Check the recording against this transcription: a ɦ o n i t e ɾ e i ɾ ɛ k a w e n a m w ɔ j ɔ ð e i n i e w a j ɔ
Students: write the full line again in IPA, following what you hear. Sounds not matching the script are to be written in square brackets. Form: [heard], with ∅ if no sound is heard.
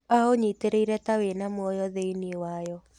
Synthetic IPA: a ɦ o [ɲ] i t e ɾ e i ɾ ɛ [t] a w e n a m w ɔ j ɔ ð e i n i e w a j ɔ